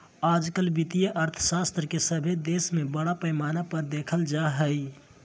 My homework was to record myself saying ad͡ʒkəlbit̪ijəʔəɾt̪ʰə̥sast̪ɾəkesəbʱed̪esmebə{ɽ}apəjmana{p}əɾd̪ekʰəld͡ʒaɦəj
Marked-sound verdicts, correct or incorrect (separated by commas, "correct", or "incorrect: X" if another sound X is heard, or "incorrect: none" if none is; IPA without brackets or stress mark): correct, correct